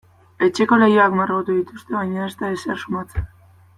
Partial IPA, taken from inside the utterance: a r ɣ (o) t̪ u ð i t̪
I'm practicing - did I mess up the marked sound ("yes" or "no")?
no